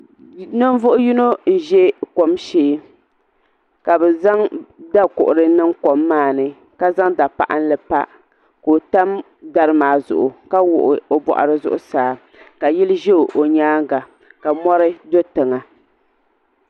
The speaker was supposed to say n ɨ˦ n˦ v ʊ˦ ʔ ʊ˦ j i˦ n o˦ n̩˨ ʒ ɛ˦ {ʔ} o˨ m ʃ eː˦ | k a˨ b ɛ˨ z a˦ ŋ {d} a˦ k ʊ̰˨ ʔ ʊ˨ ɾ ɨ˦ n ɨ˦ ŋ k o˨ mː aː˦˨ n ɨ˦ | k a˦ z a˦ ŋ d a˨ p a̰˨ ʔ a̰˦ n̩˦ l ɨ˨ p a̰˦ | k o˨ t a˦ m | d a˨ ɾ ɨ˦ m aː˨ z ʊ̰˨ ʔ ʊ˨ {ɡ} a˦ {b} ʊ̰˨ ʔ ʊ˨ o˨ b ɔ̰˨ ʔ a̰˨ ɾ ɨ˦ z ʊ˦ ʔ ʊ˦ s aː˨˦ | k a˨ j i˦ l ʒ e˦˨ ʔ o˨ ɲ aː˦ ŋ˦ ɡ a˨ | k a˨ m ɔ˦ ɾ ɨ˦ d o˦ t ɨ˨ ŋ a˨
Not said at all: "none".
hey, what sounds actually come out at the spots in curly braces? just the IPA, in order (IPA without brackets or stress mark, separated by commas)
k, d, k, w